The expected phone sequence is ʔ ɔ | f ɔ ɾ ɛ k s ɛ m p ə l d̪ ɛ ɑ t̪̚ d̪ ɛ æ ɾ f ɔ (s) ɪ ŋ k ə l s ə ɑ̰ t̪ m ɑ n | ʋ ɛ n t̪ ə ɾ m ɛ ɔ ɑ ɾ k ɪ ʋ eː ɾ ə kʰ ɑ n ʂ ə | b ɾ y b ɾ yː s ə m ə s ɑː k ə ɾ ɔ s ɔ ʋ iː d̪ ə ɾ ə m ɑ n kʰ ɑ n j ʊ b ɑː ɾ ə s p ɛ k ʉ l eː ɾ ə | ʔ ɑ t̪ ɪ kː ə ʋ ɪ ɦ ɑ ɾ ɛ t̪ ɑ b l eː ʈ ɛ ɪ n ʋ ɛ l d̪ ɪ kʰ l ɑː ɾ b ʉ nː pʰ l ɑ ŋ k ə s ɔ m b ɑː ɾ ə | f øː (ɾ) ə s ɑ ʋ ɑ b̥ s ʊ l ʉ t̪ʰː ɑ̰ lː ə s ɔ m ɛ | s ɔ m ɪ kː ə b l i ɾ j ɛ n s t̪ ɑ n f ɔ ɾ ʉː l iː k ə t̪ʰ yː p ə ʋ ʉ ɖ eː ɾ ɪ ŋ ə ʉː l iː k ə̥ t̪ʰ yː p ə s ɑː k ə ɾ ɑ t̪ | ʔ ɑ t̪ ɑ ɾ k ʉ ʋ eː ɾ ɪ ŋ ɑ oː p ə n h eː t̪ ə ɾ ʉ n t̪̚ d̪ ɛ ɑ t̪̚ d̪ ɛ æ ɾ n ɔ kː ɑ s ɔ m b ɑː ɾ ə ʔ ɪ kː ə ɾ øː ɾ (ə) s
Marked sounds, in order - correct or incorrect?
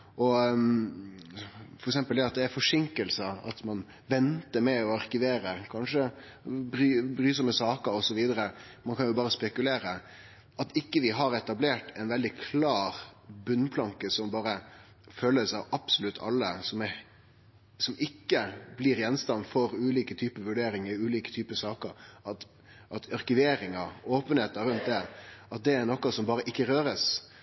incorrect, incorrect, correct

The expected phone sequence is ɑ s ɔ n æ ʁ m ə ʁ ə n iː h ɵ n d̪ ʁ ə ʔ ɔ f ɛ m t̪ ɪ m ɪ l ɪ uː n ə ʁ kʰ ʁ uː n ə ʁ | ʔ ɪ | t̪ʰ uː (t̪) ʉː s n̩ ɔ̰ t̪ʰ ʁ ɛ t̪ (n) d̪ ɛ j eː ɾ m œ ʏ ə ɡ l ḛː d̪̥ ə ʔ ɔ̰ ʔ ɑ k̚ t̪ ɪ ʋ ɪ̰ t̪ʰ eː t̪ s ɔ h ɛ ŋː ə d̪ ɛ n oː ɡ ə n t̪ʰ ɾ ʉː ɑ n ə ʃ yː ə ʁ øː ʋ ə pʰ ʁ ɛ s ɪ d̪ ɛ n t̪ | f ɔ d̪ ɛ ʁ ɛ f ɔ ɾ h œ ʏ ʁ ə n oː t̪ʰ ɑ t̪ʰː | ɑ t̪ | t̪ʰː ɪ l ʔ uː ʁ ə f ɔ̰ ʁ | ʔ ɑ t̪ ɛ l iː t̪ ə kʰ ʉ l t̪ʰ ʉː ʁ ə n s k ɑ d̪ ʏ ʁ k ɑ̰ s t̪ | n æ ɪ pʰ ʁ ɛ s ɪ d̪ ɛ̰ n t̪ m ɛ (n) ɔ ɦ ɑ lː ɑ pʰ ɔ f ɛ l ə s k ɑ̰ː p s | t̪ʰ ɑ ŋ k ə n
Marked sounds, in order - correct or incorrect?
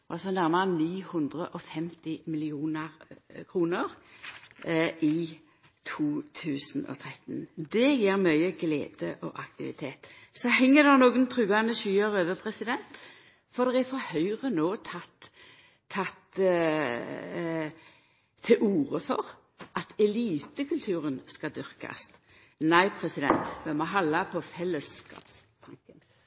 incorrect, correct, incorrect

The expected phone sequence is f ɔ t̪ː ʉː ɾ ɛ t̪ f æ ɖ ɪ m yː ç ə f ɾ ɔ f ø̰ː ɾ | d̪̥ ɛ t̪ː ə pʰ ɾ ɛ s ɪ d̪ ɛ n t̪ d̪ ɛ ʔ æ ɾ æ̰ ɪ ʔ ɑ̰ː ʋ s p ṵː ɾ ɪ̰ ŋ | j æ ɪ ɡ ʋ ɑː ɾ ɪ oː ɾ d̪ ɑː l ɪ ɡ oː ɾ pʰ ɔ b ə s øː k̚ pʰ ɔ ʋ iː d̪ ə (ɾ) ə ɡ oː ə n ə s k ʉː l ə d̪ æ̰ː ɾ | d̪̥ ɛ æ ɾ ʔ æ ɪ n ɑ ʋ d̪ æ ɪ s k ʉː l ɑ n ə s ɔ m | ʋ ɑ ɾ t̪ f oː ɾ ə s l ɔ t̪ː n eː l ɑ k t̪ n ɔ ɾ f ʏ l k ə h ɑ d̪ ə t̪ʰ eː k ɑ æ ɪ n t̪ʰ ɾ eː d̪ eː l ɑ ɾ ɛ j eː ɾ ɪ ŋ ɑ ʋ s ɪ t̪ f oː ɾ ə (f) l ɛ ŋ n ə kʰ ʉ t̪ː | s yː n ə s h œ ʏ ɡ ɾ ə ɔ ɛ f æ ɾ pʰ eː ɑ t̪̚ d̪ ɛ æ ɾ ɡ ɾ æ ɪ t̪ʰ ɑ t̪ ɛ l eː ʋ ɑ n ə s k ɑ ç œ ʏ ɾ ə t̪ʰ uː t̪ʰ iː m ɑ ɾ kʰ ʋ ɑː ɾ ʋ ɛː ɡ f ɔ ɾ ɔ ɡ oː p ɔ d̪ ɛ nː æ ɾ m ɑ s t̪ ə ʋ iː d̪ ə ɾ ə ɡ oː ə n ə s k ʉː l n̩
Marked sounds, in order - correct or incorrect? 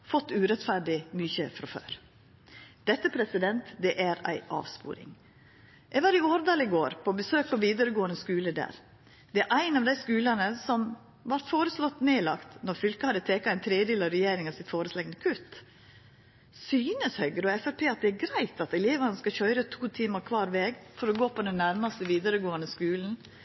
correct, incorrect

